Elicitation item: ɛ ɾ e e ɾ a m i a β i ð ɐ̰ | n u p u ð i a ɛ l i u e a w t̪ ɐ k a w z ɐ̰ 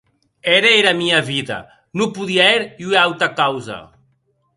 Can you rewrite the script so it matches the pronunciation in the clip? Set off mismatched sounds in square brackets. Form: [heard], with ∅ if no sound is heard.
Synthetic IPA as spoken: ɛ ɾ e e ɾ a m i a β i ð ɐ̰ | n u p u ð i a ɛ [ɾ] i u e a w t̪ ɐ k a w z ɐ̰